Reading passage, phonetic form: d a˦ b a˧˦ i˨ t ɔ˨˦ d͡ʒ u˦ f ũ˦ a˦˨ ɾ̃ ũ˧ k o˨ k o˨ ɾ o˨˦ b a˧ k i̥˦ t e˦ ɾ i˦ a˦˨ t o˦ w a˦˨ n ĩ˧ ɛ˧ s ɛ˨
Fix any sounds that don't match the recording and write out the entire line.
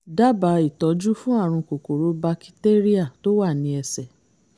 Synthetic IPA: d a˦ b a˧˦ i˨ t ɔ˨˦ d͡ʒ u˦ f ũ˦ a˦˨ ɾ̃ ũ˧ k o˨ k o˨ ɾ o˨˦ b a˧ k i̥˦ t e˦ ɾ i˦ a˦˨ t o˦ w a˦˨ n ĩ˧ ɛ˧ s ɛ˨